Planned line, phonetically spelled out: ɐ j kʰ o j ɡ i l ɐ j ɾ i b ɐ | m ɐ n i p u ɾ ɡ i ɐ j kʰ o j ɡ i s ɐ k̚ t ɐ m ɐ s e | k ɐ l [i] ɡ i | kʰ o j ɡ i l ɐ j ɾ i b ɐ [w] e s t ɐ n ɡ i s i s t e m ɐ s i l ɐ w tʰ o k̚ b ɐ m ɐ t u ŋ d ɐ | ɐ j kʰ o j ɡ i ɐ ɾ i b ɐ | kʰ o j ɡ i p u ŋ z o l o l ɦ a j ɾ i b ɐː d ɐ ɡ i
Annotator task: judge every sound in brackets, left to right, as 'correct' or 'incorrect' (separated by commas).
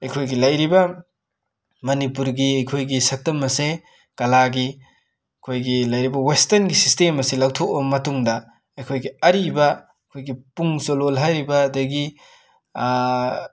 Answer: incorrect, correct